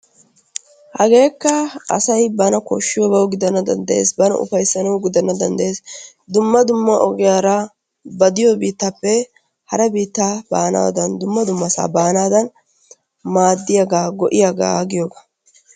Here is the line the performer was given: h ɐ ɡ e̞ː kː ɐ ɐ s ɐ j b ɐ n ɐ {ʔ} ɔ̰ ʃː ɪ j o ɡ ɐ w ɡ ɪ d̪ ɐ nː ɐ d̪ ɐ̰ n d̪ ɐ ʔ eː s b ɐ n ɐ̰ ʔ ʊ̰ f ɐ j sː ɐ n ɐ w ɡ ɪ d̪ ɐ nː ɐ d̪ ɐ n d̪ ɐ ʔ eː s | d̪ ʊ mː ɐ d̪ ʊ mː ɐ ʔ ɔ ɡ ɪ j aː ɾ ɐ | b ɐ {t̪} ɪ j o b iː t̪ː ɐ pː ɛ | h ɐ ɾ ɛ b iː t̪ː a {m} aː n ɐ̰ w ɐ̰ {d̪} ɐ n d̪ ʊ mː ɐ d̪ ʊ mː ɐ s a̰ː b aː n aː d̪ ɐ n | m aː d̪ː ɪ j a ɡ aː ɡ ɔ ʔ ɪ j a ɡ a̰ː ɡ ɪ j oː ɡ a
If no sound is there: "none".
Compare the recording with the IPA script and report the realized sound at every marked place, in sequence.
k, d̪, b, d̪

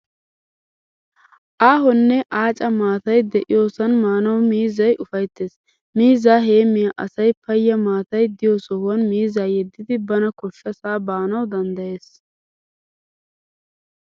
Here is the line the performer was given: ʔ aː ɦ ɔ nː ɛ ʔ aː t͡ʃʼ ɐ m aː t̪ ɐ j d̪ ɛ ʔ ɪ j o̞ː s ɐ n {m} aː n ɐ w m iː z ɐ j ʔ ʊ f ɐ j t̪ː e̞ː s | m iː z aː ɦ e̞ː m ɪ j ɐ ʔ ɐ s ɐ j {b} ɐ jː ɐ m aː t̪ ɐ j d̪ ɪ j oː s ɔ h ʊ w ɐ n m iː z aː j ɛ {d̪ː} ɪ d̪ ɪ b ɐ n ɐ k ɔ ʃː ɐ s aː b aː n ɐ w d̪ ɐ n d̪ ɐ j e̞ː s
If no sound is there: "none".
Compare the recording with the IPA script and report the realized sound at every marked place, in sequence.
m, p, d̪ː

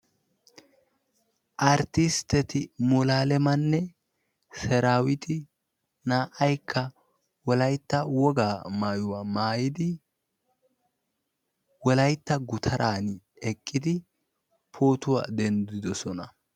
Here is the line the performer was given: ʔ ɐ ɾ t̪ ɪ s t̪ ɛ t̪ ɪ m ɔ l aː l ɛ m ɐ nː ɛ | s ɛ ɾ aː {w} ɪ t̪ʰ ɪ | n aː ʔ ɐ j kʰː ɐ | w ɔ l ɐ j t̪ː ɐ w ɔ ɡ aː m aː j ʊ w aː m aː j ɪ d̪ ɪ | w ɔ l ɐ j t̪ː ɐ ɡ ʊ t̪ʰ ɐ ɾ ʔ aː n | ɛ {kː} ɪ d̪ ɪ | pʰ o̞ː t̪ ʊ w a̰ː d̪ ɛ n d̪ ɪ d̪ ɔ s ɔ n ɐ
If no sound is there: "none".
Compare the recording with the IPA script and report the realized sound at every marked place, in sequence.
w, kʼː

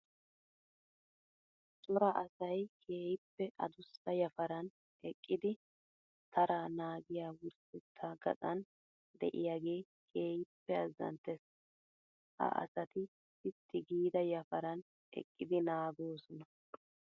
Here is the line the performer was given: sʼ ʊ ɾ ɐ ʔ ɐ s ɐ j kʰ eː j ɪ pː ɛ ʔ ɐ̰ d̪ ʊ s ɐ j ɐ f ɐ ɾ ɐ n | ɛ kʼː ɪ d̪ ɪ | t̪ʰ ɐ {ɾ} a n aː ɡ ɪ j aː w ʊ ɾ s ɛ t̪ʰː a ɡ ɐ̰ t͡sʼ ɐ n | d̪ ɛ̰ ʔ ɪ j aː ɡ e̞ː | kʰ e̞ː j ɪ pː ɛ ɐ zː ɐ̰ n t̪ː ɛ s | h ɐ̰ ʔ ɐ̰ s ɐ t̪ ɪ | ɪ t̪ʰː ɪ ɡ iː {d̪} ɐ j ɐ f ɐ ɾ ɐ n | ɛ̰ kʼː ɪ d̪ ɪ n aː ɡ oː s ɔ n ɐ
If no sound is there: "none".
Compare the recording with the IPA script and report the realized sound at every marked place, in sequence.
ɾ, d̪

